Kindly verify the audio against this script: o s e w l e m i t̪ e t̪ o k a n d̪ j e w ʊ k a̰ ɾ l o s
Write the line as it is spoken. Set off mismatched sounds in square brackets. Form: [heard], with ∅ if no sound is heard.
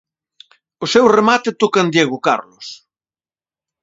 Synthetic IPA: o s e w [r] e m [a] t̪ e t̪ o k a n d̪ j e [ɣ] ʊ k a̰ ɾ l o s